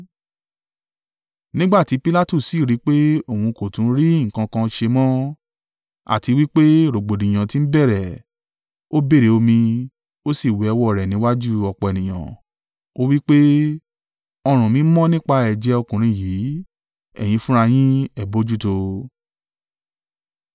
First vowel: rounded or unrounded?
unrounded